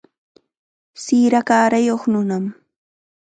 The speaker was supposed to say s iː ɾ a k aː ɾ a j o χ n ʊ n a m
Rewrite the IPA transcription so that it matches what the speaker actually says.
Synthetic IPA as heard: s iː ɾ a k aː ɾ a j o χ n ʊ n a m

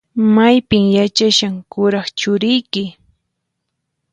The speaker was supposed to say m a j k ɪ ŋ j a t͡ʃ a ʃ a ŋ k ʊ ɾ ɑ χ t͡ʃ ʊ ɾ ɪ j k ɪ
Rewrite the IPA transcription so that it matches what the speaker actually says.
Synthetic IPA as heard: m a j p ɪ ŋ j a t͡ʃ a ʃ a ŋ k ʊ ɾ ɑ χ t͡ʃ ʊ ɾ ɪ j k ɪ

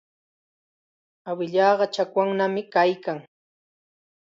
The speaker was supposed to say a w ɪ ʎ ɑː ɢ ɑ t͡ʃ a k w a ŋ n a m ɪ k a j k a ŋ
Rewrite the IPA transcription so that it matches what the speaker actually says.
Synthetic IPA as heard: a w ɪ ʎ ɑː ɢ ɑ t͡ʃ a k w a ŋ n a m ɪ k a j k a ŋ

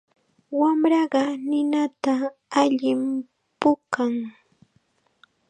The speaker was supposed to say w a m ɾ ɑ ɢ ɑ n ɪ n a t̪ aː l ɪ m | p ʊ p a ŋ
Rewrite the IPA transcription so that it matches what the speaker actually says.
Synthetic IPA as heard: w a m ɾ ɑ ɢ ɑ n ɪ n a t̪ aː ʎ ɪ m | p ʊ k a ŋ

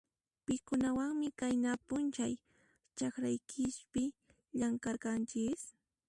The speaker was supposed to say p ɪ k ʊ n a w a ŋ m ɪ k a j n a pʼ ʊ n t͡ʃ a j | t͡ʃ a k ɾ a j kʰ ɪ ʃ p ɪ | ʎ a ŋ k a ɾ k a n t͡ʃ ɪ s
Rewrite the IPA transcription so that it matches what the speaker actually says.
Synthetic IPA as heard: p ɪ k ʊ n a w a ŋ m ɪ k a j n a p ʊ n t͡ʃ a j | t͡ʃ a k ɾ a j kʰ ɪ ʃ p ɪ | ʎ a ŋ k a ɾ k a n t͡ʃ ɪ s

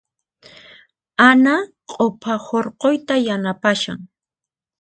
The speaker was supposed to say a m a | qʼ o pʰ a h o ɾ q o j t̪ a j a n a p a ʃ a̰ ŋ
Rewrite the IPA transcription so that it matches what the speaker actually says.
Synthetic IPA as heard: a n a | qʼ o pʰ a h o ɾ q o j t̪ a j a n a p a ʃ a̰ ŋ

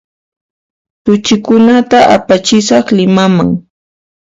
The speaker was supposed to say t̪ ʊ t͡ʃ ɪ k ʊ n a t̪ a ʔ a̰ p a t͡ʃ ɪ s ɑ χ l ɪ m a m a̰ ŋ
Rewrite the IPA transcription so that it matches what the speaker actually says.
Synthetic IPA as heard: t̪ ʊ t͡ʃ ɪ k ʊ n a t̪ a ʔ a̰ p a t͡ʃ ɪ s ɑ χ l ɪ m a m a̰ ŋ

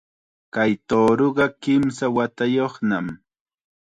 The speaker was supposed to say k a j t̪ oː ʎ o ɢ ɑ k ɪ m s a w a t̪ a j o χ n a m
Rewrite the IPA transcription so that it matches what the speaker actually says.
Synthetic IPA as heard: k a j t̪ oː ɾ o ɢ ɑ k ɪ m s a w a t̪ a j o χ n a m

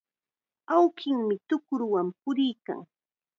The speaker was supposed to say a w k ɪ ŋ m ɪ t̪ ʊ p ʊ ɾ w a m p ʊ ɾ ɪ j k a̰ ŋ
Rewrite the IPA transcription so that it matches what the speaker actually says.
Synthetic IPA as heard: a w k ɪ ŋ m ɪ t̪ ʊ k ʊ ɾ w a m p ʊ ɾ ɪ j k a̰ ŋ

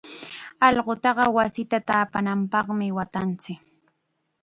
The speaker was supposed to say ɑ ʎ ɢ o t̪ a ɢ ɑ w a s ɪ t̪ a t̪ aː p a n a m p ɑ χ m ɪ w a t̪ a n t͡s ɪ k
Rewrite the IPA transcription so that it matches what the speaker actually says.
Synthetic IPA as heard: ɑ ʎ ɢ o t̪ ɑ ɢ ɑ w a s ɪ t̪ a t̪ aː p a n a m p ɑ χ m ɪ w a t̪ a n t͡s ɪ k

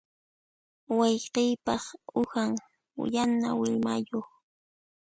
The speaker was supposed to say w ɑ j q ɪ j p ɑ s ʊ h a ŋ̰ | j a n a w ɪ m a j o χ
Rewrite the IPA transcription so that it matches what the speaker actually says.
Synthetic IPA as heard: w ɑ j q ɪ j p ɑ χ ʊ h a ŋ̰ | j a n a w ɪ m a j o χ

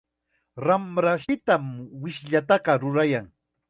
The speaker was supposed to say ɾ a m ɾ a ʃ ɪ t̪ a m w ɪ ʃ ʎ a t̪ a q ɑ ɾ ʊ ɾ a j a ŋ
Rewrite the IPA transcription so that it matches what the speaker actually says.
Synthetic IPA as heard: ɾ a m ɾ a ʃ ɪ t̪ a m w ɪ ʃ ʎ a t̪ ɑ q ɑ ɾ ʊ ɾ a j a ŋ

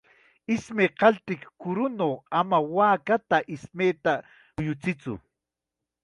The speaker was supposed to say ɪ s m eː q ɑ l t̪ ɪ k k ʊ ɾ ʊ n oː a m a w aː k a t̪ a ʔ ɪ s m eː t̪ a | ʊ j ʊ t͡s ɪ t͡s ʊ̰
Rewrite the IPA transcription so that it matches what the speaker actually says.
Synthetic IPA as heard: ɪ s m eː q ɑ l t̪ ɪ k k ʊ ɾ ʊ n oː a m a w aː k a t̪ a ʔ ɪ s m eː t̪ a | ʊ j ʊ t͡s ɪ t͡s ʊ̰

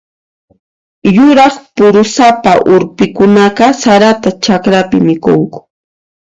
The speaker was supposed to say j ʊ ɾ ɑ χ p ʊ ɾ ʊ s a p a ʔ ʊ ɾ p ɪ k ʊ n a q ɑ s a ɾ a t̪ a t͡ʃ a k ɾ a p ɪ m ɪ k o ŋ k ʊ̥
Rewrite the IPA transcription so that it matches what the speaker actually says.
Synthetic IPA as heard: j ʊ ɾ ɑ χ p ʊ ɾ ʊ s a p a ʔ ʊ ɾ p ɪ k ʊ n a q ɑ s a ɾ a t̪ a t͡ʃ a k ɾ a p ɪ m ɪ k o ŋ k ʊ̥

